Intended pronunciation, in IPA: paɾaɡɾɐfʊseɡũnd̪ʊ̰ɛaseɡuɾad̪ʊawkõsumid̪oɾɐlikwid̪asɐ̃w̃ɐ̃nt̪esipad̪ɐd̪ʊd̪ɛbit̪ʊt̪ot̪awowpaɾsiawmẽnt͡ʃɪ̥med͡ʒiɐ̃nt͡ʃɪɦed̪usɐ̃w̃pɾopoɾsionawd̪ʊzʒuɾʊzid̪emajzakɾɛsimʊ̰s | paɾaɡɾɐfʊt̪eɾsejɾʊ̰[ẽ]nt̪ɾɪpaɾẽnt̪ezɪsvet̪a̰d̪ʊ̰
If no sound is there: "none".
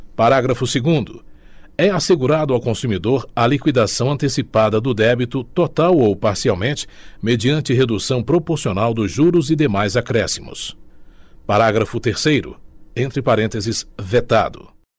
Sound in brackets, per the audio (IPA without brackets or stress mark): ẽ